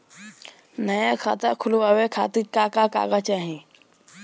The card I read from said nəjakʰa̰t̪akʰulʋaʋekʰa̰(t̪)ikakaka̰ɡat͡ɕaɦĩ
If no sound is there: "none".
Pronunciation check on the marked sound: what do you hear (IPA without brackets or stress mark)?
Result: t̪